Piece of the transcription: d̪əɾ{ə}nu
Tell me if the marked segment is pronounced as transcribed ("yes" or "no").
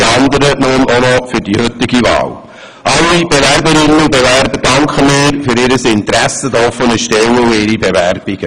yes